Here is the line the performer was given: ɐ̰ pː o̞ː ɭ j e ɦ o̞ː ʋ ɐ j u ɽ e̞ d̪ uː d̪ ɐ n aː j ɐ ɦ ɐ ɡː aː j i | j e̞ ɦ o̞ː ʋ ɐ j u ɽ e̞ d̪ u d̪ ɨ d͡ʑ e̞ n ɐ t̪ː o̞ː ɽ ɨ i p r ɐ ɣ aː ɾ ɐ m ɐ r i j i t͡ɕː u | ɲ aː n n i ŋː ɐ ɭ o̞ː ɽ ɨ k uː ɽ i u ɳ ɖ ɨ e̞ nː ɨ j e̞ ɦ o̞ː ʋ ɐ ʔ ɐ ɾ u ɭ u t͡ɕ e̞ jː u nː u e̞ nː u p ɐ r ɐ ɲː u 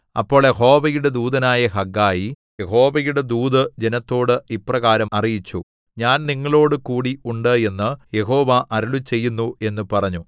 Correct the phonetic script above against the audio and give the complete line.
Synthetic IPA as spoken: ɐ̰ pː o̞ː ɭ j e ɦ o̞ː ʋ ɐ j u ɽ e̞ d̪ uː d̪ ɐ n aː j ɐ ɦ ɐ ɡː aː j i | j e̞ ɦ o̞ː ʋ ɐ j u ɽ e̞ d̪ uː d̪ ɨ d͡ʑ e̞ n ɐ t̪ː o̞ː ɽ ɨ i p r ɐ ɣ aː ɾ ɐ m ɐ r i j i t͡ɕː u | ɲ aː n n i ŋː ɐ ɭ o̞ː ɽ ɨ k uː ɽ i u ɳ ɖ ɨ e̞ nː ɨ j e̞ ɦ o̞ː ʋ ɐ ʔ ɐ ɾ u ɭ u t͡ɕ e̞ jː u nː u e̞ nː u p ɐ r ɐ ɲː u